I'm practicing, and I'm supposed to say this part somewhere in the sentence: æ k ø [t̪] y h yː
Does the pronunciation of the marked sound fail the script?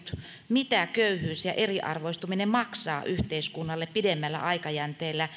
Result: yes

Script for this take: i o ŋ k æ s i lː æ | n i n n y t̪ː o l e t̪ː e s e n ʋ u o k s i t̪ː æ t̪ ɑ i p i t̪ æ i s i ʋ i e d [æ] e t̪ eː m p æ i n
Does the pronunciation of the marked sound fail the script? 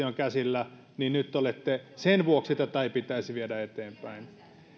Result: no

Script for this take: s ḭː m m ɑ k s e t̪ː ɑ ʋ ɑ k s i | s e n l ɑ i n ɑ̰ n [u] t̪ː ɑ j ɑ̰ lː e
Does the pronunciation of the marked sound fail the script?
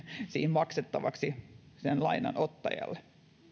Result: yes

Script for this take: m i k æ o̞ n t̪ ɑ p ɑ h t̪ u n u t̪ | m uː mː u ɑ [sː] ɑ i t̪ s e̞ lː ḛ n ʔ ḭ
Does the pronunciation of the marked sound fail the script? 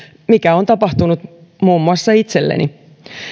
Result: no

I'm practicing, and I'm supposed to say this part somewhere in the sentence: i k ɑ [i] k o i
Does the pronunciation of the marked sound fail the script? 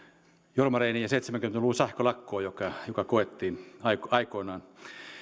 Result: no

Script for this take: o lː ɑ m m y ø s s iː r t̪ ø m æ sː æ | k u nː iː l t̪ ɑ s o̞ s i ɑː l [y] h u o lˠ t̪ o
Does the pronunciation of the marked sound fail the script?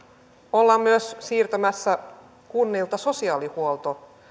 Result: yes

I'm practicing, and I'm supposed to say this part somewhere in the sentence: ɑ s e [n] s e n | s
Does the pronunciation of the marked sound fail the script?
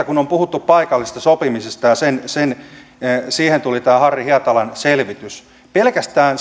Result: no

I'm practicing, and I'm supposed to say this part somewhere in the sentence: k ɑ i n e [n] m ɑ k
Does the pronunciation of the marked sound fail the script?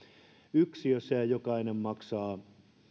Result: yes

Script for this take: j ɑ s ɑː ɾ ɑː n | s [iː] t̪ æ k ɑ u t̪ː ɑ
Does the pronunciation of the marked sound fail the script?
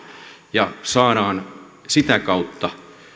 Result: yes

